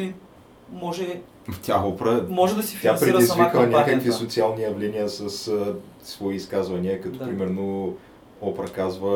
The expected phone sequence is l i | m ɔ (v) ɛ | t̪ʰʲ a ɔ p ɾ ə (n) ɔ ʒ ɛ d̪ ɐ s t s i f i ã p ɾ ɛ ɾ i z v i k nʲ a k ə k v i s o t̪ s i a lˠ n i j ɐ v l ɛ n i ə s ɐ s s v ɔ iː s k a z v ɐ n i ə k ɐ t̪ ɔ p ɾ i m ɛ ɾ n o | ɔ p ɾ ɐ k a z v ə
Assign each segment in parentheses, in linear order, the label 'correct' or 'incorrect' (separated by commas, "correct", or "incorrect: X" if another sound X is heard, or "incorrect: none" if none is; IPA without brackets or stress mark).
incorrect: ʒ, incorrect: m